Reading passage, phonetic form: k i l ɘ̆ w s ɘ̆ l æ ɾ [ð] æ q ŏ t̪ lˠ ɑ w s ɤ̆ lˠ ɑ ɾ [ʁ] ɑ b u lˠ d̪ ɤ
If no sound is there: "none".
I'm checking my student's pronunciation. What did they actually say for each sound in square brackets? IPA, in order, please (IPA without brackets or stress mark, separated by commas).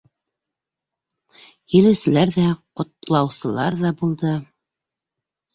ð, ð